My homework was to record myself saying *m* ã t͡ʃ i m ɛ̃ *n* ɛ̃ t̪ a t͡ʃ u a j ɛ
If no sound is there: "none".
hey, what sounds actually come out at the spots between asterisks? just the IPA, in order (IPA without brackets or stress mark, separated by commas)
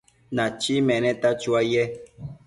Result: n, n